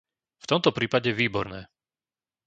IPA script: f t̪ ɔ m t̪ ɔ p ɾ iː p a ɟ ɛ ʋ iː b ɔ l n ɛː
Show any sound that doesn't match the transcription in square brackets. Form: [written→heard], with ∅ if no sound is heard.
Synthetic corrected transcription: f t̪ ɔ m t̪ ɔ p ɾ iː p a ɟ ɛ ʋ iː b ɔ [l→ɾ] n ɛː